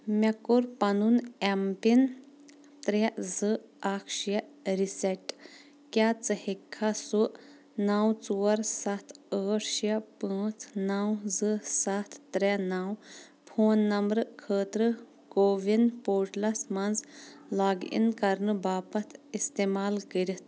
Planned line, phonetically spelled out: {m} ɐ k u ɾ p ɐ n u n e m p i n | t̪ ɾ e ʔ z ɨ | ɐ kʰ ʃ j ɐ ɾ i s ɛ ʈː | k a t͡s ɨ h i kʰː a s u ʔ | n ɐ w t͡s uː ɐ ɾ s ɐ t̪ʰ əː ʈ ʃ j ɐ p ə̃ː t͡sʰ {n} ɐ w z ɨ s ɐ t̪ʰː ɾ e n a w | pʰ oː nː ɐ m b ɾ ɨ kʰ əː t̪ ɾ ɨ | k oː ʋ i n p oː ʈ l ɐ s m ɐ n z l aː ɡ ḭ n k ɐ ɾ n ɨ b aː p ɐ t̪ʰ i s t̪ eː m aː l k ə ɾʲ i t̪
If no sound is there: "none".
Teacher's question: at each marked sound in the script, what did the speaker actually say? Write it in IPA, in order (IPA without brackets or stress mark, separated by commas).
m, n